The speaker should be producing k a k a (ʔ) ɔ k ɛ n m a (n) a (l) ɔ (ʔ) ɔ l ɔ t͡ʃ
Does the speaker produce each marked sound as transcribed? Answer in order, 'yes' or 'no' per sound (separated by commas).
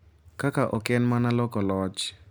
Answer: yes, yes, yes, no